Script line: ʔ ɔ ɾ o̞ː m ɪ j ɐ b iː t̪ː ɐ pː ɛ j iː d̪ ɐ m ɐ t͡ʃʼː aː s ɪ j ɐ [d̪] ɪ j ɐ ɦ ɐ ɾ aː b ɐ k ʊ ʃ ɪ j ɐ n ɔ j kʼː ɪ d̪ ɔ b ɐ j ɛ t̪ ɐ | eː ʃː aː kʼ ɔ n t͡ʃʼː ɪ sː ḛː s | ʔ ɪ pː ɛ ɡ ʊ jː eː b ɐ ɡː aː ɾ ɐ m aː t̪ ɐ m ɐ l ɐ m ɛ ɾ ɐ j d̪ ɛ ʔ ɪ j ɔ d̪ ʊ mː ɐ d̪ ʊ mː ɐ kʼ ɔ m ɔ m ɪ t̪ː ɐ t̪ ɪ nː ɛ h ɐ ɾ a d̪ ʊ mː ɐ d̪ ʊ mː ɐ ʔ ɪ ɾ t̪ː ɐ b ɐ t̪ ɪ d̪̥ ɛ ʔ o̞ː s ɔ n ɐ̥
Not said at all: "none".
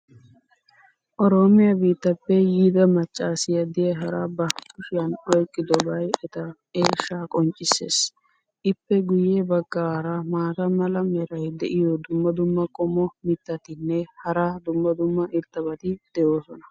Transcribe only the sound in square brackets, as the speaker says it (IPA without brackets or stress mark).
d̪